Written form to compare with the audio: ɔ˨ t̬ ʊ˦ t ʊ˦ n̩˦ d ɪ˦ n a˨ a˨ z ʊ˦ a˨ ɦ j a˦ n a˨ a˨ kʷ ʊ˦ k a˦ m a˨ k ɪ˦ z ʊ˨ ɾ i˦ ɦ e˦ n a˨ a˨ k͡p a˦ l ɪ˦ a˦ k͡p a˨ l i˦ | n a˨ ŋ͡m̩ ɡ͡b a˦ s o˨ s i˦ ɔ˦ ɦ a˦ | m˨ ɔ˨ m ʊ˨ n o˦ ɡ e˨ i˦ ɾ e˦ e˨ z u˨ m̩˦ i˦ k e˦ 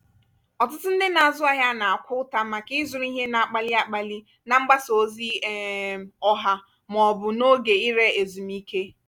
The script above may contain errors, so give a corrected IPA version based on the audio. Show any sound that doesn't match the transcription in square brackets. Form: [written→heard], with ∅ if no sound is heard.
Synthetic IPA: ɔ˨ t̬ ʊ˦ t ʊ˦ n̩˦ d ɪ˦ n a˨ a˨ z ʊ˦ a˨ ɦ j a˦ n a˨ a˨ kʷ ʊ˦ [k→t] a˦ m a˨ k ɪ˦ z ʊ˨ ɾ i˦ ɦ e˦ n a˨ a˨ k͡p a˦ l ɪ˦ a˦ k͡p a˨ l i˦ | n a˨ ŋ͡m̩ ɡ͡b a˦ s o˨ [s→z] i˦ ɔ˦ ɦ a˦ | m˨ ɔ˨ [m→b] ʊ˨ n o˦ ɡ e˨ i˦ ɾ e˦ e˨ z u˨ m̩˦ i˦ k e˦